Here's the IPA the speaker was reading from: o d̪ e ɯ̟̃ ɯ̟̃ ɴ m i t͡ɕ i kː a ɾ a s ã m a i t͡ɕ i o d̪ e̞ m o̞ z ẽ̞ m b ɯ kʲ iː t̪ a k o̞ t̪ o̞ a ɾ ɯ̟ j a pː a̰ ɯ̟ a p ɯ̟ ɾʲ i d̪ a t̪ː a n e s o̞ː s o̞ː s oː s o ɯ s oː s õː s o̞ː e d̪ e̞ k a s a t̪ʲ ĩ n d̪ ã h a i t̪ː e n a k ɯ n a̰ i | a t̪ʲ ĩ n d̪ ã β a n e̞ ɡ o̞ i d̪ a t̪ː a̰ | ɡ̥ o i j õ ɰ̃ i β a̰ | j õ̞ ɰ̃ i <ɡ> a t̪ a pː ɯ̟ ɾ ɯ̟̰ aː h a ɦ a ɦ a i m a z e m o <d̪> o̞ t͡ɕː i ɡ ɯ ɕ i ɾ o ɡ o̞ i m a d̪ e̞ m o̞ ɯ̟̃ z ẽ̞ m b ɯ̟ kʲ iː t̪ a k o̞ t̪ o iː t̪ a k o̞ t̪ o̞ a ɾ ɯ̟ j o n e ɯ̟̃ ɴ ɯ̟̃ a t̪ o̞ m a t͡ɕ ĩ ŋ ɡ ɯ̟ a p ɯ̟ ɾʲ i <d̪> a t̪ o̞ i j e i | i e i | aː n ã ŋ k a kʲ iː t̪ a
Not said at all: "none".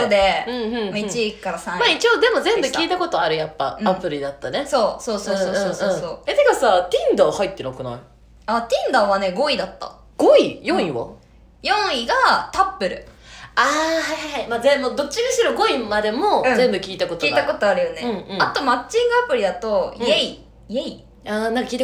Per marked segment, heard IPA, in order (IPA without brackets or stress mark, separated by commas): ɡ, d̪, d̪